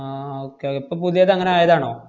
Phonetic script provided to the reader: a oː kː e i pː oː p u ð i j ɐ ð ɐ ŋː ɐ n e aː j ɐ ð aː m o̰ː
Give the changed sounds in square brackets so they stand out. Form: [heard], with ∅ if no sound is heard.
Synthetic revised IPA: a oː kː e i pː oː p u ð i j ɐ ð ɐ ŋː ɐ n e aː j ɐ ð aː [ɳ] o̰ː